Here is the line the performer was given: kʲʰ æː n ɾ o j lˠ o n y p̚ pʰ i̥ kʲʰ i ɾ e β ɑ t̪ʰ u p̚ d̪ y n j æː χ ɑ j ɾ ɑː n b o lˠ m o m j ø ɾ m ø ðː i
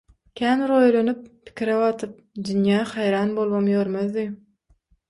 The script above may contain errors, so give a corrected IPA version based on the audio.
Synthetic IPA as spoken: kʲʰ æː n ɾ o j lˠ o n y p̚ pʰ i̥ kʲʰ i ɾ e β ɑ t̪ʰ ɯ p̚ d̪ y n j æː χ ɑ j ɾ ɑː n b o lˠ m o m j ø ɾ m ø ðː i